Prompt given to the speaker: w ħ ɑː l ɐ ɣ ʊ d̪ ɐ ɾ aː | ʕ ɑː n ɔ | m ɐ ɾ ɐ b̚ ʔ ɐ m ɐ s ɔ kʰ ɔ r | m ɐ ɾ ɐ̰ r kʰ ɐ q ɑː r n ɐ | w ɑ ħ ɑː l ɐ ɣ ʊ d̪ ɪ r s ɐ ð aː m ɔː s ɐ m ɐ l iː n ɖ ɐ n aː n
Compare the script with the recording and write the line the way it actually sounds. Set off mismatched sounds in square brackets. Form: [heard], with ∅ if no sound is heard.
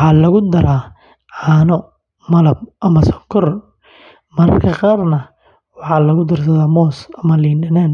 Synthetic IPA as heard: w ħ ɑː l ɐ ɣ ʊ d̪ ɐ ɾ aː | ʕ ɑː n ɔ | m ɐ [l] ɐ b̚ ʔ ɐ m ɐ s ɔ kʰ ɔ r | m ɐ ɾ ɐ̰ r kʰ ɐ q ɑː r n ɐ | w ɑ ħ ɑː l ɐ ɣ ʊ d̪ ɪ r s ɐ ð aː m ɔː s ɐ m ɐ l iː n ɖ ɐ n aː n